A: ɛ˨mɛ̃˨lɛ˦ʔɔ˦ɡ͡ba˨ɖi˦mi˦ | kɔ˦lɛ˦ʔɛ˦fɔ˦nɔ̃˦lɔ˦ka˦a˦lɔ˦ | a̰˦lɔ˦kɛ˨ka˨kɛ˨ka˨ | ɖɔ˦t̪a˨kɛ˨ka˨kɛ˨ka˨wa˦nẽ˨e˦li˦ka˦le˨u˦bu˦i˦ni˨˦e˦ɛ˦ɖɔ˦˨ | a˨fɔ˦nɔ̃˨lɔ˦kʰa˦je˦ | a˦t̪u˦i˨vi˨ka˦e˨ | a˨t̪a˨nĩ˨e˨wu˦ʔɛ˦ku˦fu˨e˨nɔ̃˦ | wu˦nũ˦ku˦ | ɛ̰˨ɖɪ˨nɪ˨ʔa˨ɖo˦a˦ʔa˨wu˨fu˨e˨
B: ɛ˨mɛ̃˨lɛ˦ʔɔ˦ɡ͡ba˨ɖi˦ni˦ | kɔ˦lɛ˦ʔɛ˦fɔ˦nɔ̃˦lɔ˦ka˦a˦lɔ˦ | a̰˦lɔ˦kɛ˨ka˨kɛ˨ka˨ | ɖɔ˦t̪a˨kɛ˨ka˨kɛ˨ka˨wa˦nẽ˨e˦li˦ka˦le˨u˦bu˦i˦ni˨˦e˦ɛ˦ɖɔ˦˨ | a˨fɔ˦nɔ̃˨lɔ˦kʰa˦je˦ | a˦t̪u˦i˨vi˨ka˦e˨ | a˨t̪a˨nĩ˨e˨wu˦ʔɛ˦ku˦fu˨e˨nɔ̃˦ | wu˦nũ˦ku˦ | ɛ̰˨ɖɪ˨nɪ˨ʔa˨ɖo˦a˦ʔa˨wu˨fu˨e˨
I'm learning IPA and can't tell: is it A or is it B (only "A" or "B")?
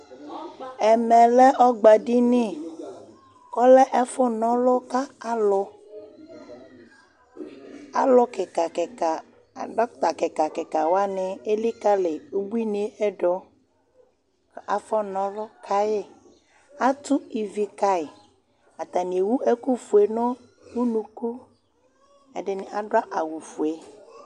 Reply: B